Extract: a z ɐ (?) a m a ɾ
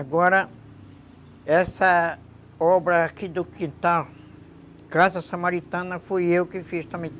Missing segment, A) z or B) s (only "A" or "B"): B